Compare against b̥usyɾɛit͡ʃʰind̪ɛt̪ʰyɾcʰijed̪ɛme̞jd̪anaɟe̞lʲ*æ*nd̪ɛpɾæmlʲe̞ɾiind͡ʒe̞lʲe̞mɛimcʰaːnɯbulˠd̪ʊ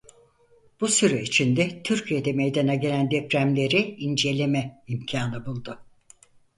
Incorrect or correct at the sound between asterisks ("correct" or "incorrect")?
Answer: correct